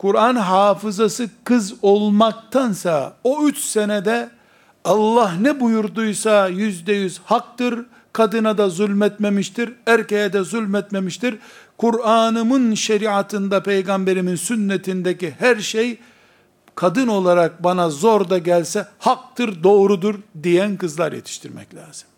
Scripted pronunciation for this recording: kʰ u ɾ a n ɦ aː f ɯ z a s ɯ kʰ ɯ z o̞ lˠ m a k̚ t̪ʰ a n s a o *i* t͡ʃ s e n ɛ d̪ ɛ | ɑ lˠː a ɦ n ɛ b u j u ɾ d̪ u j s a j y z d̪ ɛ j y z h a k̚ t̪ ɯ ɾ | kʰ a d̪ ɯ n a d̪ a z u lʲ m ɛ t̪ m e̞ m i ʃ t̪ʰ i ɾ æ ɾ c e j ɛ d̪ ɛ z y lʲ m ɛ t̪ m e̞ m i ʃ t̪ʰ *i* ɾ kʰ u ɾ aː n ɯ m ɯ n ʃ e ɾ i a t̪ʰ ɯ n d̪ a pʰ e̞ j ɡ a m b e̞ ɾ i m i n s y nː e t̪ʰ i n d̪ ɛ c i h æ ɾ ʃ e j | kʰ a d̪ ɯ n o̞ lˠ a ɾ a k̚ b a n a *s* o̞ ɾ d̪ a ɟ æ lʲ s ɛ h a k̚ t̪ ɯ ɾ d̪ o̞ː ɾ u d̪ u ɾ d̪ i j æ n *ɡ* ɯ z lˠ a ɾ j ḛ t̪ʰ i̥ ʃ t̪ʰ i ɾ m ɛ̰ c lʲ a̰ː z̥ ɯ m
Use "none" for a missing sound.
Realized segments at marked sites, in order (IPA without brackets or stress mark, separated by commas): y, i, z, k